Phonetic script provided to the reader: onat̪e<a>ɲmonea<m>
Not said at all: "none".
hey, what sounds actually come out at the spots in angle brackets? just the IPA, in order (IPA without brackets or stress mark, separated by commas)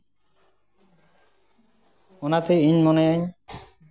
i, ɲ